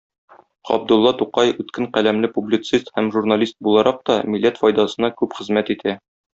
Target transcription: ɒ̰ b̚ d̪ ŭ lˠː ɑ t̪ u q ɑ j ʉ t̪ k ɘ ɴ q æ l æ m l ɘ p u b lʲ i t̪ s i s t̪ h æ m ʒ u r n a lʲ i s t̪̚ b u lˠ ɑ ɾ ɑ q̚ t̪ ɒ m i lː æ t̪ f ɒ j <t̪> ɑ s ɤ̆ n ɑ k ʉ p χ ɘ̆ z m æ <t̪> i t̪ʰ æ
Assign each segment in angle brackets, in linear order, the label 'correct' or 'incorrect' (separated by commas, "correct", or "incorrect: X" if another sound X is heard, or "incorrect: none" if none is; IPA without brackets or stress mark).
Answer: incorrect: d̪, correct